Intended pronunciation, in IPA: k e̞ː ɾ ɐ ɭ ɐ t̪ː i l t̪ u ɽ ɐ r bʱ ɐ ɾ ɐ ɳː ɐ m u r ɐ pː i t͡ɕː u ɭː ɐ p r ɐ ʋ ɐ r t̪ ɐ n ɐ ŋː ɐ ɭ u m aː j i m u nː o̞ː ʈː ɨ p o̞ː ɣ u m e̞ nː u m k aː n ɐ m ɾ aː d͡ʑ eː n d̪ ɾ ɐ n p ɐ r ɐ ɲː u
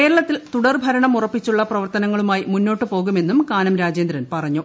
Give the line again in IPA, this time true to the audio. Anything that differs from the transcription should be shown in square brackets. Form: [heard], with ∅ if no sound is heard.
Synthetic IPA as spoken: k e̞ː ɾ ɐ ɭ ɐ t̪ː i l t̪ u ɽ ɐ r bʱ ɐ ɾ ɐ [ɳ] ɐ m u r ɐ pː i t͡ɕː u ɭː ɐ p r ɐ ʋ ɐ r t̪ ɐ n ɐ ŋː ɐ ɭ u m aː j i m u nː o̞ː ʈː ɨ p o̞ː ɣ u m e̞ nː u m k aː n ɐ m ɾ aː d͡ʑ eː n d̪ ɾ ɐ n p ɐ r ɐ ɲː u